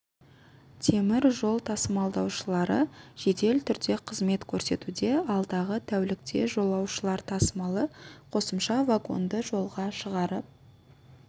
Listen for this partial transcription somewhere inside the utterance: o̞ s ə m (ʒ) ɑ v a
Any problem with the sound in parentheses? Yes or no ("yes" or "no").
yes